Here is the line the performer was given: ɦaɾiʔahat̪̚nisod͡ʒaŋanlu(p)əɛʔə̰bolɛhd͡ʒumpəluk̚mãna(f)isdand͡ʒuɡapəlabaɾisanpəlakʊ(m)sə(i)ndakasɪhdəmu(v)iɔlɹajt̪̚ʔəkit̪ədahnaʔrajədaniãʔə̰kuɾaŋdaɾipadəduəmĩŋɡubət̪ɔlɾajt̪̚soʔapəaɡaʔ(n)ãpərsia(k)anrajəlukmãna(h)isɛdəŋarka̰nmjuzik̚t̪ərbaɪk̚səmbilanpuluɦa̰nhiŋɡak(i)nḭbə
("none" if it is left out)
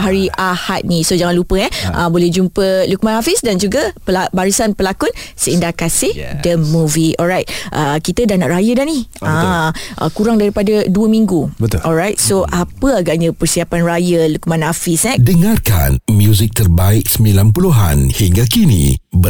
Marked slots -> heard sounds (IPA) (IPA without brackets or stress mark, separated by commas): p, f, n, i, v, ɲ, p, f, i